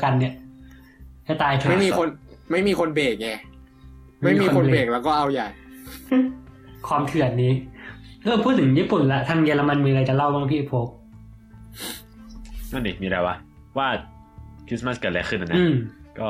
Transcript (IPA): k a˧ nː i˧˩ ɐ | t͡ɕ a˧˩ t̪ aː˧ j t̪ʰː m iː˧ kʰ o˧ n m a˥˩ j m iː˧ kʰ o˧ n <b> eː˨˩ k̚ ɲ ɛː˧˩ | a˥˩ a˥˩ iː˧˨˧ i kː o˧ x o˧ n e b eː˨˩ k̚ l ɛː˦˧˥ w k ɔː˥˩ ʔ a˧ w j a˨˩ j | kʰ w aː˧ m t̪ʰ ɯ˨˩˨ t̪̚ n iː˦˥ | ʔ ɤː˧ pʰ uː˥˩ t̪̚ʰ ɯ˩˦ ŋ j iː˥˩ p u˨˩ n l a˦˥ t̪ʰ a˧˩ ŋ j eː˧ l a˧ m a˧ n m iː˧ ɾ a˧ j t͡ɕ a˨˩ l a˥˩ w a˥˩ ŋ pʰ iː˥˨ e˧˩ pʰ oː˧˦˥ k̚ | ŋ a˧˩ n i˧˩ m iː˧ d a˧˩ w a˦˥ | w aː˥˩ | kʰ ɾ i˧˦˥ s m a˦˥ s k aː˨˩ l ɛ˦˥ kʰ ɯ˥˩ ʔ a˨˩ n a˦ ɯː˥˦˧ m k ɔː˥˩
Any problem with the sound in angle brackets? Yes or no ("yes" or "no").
no